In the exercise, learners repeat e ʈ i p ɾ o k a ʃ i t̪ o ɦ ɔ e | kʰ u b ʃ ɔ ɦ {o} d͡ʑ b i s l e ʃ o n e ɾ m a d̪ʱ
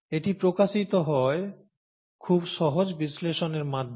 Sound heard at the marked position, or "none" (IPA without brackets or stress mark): o